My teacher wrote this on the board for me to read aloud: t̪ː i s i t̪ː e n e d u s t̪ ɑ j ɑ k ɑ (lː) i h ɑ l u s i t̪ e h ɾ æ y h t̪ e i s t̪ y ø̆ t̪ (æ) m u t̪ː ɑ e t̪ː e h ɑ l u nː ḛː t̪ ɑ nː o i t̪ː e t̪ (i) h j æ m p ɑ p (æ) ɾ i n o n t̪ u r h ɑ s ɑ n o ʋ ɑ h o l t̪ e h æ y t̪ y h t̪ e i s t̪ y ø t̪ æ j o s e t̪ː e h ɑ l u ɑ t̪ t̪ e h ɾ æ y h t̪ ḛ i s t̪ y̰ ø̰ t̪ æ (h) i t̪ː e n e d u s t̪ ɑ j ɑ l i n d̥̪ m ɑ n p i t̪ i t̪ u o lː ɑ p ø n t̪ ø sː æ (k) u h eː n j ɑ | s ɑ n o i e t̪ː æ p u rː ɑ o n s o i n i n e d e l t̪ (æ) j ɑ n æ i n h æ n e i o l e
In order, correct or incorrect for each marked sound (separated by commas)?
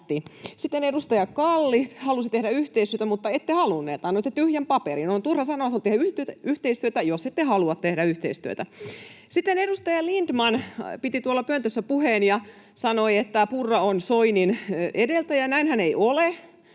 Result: correct, correct, incorrect, incorrect, incorrect, incorrect, correct